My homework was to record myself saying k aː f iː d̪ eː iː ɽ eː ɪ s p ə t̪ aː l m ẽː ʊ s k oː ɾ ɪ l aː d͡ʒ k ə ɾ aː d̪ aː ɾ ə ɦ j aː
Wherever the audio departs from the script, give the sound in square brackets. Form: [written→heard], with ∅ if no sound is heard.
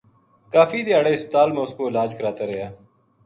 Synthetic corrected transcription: k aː f iː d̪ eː [iː→aː] ɽ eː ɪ s p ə t̪ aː l m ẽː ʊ s k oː [ɾ→∅] ɪ l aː d͡ʒ k ə ɾ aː [d̪→t̪] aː ɾ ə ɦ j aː